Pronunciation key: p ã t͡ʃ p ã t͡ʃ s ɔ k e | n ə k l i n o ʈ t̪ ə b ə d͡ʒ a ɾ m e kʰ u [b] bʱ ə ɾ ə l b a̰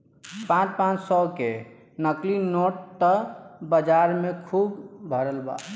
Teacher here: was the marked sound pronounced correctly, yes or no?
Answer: yes